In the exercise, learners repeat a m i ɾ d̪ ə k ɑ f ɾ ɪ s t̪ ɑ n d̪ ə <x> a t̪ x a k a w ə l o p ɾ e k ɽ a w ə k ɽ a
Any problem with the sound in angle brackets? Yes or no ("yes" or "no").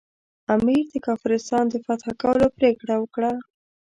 yes